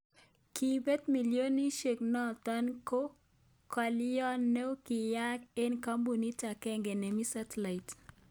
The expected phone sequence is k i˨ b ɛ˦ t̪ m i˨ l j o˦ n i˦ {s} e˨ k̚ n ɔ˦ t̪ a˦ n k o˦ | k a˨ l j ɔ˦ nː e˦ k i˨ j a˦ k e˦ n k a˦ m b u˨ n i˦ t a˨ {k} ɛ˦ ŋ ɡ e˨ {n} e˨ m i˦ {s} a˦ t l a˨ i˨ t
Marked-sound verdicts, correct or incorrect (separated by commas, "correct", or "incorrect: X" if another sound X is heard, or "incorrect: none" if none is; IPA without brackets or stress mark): incorrect: ʃ, correct, correct, correct